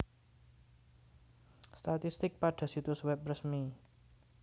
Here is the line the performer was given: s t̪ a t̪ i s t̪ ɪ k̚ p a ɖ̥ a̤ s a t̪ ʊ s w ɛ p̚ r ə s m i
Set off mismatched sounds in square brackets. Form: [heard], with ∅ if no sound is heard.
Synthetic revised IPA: s t̪ a t̪ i s t̪ ɪ k̚ p a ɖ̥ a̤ s [i] t̪ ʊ s w ɛ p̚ r ə s m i

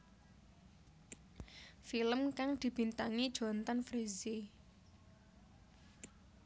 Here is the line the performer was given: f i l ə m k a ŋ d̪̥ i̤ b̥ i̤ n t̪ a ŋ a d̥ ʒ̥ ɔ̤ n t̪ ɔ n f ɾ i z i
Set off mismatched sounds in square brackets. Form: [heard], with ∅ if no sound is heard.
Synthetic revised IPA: f i l ə m k a ŋ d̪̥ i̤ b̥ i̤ n t̪ a ŋ [i] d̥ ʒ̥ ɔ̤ n t̪ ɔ n f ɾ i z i

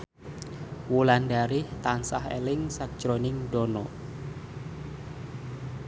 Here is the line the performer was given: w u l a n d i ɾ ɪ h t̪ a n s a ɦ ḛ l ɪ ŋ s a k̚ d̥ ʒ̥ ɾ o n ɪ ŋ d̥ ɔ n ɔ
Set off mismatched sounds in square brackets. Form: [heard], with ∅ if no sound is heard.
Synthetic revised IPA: w u l a n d [a] ɾ ɪ h t̪ a n s a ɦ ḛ l ɪ ŋ s a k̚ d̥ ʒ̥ ɾ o n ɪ ŋ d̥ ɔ n ɔ

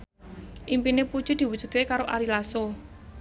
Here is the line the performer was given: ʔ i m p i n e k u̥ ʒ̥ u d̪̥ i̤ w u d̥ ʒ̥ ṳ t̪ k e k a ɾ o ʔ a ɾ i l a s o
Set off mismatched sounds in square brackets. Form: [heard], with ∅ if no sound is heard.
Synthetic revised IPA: ʔ i m p i n e [p] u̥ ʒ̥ u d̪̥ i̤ w u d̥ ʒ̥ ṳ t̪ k e k a ɾ o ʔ a ɾ i l a s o

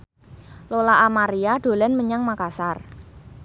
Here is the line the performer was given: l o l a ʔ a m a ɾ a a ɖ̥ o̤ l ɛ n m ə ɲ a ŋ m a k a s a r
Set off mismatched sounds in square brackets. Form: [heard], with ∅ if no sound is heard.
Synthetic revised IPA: l o l a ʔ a m a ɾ [i] a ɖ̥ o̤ l ɛ n m ə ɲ a ŋ m a k a s a r

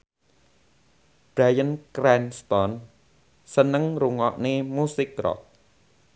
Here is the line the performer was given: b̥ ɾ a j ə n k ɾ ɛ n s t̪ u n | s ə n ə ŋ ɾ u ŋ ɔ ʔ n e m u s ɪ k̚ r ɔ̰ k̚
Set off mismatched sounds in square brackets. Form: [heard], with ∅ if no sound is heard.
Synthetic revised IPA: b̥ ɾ a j ə n k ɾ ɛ n s t̪ [ɔ] n | s ə n ə ŋ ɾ u ŋ ɔ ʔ n e m u s ɪ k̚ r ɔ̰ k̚

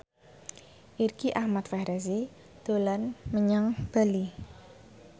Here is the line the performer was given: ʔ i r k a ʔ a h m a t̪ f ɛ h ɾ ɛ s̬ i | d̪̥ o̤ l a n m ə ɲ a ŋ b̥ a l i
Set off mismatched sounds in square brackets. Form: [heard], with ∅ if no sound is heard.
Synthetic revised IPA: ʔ i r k [i] ʔ a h m a t̪ f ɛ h ɾ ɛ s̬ i | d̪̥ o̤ l a n m ə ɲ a ŋ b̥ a l i

